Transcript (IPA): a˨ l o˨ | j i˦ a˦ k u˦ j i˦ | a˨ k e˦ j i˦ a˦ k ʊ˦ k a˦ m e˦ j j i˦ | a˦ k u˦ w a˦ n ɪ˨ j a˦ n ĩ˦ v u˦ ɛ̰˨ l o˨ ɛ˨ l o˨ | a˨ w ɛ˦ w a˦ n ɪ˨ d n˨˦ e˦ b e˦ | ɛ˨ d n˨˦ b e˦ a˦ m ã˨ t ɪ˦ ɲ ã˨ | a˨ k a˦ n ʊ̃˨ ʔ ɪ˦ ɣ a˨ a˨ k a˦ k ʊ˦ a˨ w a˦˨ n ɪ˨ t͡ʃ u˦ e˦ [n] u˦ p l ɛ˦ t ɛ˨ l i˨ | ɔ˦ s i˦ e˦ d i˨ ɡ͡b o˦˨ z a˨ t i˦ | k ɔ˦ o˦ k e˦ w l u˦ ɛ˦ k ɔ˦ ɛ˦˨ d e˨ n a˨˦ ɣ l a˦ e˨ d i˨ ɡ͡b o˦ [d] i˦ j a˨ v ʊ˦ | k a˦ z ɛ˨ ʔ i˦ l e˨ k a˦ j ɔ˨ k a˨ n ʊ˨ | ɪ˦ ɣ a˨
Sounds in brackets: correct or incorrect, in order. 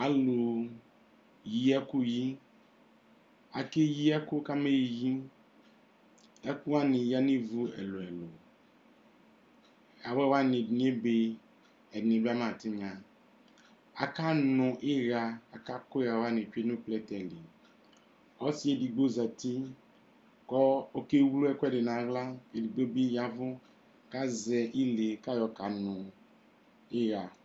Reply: correct, incorrect

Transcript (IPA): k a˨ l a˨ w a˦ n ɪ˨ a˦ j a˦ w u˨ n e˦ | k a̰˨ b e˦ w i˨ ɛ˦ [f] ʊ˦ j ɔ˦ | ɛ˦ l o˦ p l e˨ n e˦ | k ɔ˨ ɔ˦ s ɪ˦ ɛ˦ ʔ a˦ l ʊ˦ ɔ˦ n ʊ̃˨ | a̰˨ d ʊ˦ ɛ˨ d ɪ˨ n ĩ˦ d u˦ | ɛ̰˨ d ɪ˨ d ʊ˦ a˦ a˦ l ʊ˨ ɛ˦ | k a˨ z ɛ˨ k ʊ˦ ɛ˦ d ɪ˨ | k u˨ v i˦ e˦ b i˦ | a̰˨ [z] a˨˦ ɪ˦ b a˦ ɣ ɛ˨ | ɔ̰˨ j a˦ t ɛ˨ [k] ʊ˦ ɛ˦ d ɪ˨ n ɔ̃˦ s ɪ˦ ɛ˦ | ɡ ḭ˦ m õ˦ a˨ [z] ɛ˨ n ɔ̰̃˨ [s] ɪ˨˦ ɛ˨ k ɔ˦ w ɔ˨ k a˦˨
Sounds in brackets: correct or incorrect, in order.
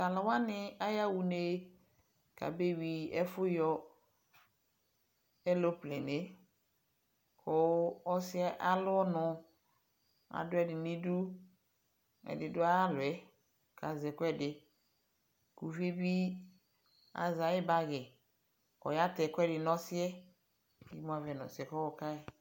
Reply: correct, correct, correct, incorrect, correct

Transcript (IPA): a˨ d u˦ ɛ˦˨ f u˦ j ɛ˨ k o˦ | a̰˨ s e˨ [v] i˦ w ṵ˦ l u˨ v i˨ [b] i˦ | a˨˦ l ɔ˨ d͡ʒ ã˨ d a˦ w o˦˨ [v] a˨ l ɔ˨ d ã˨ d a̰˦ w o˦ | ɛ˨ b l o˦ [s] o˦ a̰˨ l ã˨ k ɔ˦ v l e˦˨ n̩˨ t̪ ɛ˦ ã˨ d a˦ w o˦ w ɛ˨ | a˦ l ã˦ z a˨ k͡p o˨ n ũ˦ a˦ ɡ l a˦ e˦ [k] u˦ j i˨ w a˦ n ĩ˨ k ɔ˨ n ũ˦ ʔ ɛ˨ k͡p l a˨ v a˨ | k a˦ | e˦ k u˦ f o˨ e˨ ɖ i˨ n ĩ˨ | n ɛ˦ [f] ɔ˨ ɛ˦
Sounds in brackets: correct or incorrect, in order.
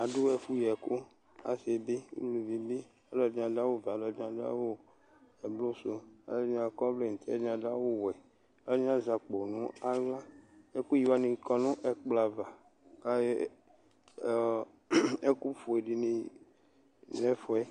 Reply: incorrect, correct, correct, correct, correct, correct

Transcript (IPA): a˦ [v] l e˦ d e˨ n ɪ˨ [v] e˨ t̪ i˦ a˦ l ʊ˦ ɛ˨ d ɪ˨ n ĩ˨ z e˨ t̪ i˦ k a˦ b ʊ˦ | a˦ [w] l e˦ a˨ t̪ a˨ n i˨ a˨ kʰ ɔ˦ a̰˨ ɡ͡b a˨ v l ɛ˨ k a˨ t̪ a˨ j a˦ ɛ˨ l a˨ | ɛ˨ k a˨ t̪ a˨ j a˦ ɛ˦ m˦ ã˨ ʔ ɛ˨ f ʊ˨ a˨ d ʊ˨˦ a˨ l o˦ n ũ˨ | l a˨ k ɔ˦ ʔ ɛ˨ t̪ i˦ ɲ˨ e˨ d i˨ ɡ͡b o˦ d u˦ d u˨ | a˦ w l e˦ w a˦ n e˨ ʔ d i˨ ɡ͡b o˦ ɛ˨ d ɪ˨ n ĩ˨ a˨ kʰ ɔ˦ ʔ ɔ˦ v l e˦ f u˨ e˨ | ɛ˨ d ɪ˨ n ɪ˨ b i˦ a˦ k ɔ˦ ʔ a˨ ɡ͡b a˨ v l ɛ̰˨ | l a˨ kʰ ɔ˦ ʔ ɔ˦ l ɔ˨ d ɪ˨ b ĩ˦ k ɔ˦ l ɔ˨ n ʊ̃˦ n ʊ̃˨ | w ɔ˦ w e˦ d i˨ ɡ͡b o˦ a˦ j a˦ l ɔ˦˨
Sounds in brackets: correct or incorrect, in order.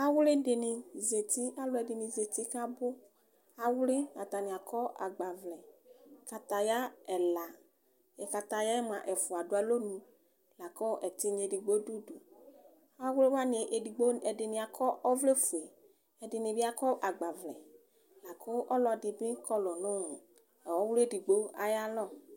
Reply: incorrect, incorrect, correct

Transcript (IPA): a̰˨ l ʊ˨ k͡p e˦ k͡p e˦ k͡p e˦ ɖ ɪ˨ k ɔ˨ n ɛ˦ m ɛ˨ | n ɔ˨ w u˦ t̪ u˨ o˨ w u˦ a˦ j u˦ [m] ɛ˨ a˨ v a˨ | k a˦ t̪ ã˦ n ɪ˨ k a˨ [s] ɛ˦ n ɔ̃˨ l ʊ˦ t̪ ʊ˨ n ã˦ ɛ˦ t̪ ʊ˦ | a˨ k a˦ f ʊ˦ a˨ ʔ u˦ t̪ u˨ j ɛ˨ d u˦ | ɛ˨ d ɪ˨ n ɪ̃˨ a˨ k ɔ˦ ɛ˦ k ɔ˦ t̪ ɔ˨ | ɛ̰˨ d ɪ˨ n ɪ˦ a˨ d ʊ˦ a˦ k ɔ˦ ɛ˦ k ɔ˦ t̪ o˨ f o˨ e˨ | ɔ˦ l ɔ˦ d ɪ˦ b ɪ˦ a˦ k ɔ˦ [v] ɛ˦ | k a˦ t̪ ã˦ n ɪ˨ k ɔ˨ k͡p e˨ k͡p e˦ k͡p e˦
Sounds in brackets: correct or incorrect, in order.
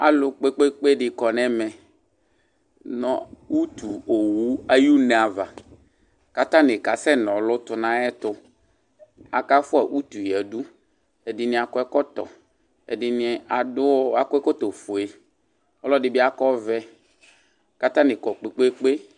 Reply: incorrect, correct, correct

